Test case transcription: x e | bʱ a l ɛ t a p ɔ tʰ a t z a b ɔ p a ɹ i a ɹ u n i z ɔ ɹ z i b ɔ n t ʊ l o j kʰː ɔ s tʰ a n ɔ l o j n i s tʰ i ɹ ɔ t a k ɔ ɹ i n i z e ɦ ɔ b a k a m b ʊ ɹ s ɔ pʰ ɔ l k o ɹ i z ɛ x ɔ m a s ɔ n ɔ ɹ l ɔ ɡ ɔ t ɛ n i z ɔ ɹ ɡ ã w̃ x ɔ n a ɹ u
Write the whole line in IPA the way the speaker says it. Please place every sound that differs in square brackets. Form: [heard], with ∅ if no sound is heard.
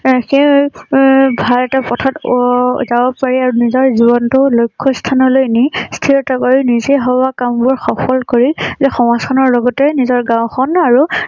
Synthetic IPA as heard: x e | bʱ a l ɛ t a p ɔ tʰ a t z a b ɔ p a ɹ i a ɹ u n i z ɔ ɹ z i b ɔ n t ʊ l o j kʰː ɔ s tʰ a n ɔ l o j n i s tʰ i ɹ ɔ t a k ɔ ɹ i n i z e ɦ ɔ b a k a m b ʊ ɹ [x] ɔ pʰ ɔ l k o ɹ i z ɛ x ɔ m a s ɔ n ɔ ɹ l ɔ ɡ ɔ t ɛ n i z ɔ ɹ ɡ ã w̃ x ɔ n a ɹ u